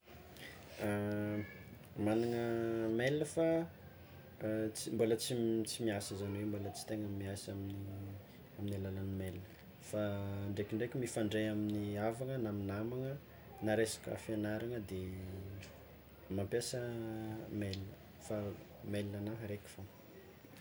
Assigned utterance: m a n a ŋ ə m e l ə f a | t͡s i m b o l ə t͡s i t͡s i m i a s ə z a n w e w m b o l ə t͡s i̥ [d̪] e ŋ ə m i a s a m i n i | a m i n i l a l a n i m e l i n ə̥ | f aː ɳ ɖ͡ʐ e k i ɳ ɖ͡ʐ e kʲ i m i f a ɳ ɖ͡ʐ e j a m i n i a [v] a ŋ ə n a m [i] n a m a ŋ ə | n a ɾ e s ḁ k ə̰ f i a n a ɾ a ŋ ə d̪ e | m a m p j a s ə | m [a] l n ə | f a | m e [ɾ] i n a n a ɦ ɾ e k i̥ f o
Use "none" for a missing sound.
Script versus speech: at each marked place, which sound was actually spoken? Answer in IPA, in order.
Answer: t̪, v, i, e, l

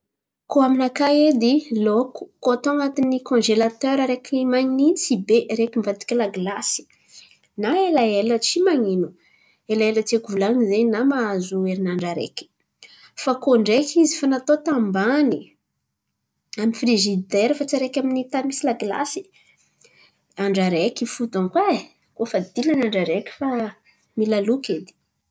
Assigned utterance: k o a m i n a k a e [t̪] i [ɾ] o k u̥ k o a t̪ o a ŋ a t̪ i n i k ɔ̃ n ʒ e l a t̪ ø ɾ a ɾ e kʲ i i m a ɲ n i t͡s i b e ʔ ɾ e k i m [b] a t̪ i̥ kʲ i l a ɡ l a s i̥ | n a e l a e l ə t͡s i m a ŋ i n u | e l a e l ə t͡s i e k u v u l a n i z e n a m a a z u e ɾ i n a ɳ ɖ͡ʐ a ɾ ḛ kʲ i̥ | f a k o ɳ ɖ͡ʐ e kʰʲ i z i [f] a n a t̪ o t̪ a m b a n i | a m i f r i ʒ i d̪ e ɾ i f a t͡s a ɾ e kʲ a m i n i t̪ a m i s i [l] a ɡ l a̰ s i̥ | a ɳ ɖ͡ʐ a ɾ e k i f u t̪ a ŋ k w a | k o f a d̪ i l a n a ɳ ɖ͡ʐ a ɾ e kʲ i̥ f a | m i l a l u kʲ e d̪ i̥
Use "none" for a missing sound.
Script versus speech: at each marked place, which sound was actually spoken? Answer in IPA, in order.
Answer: d̪, l, v, f, l

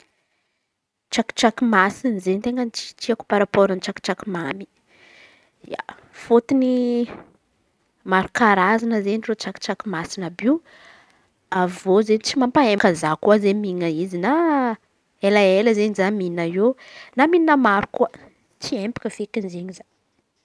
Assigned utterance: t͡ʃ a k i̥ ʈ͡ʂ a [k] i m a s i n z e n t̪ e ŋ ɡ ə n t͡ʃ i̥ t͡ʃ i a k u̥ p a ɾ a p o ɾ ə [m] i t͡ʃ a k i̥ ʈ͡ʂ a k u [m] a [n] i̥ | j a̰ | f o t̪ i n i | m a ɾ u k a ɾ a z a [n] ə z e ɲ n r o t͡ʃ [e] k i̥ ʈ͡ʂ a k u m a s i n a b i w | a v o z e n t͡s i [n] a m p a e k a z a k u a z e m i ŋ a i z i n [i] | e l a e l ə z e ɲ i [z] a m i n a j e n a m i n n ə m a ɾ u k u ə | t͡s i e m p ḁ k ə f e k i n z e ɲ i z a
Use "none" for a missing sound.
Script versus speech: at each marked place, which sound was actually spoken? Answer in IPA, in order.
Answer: k, n, m, m, n, a, m, a, z

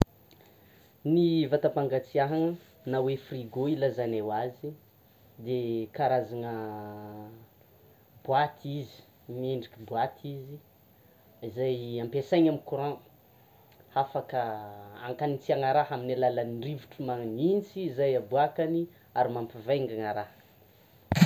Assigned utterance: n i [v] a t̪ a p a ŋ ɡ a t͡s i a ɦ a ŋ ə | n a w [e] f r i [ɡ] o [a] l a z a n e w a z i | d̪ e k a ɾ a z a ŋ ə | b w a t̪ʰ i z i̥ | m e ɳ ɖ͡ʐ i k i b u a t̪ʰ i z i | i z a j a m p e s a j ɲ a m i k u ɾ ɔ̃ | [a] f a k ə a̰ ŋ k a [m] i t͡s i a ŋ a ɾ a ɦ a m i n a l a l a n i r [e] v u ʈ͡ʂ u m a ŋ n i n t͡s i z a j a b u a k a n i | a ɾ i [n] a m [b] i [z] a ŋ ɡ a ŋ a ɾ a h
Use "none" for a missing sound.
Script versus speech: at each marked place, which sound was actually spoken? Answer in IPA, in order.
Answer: v, e, ɡ, i, a, n, i, m, p, v

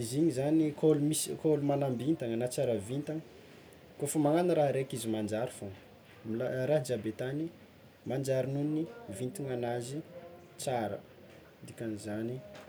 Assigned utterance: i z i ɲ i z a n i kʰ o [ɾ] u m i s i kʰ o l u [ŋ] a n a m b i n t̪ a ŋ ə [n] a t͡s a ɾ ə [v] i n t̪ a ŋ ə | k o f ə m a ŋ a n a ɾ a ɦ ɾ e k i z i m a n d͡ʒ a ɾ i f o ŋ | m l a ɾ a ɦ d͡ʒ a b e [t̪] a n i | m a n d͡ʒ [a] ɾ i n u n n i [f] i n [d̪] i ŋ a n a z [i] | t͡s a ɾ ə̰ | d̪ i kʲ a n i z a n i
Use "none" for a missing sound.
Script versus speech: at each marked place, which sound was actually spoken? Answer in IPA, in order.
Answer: l, m, n, v, t̪, a, v, t̪, i

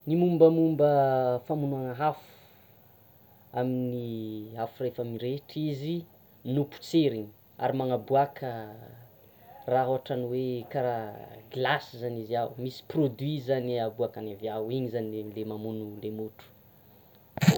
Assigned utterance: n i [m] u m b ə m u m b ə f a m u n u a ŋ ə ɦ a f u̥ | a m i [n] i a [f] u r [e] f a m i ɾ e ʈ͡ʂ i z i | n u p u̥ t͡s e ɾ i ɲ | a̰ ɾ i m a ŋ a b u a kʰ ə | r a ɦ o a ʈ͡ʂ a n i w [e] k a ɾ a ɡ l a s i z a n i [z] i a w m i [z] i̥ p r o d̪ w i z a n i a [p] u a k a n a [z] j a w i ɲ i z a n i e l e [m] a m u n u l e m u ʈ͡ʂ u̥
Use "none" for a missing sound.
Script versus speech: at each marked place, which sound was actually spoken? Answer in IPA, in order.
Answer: m, n, f, e, e, z, s, b, v, m

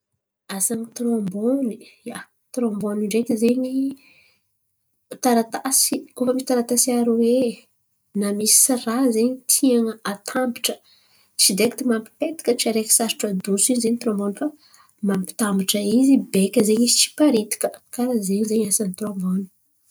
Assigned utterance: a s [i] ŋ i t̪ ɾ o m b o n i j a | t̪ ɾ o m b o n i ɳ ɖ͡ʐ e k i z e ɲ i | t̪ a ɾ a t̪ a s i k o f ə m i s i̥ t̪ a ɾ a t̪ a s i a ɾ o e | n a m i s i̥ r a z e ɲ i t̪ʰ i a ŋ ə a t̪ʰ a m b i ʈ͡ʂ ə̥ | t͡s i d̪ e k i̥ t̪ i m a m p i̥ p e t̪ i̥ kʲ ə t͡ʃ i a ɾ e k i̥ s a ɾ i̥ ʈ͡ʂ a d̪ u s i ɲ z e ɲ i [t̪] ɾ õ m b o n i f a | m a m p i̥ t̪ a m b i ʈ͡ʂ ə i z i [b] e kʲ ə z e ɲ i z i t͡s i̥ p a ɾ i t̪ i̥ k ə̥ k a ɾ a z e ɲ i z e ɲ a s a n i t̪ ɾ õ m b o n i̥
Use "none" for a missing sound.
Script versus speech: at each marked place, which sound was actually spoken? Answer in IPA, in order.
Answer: a, t̪, b

